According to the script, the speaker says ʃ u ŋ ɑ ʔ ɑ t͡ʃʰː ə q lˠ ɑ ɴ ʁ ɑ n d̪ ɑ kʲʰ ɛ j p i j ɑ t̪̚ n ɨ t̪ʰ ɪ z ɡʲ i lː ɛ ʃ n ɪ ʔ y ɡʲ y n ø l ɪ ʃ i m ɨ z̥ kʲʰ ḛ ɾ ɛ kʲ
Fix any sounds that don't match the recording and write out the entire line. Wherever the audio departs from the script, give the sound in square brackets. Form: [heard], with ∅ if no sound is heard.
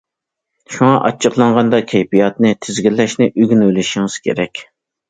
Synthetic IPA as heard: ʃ u ŋ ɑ ʔ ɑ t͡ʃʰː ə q lˠ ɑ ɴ ʁ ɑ n d̪ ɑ kʲʰ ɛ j p i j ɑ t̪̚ n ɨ t̪ʰ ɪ z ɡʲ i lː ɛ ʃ n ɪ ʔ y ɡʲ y n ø l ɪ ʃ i [ŋ] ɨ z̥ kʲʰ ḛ ɾ ɛ kʲ